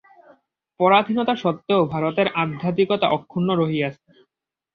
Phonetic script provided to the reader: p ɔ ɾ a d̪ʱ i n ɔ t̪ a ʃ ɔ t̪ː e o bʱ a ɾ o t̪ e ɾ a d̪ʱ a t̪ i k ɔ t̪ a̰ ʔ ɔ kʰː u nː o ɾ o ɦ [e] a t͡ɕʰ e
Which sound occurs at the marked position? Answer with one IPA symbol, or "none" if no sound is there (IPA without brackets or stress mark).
i